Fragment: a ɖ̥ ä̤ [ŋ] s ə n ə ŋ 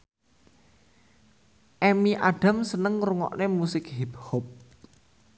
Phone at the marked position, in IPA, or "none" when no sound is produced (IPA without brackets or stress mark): m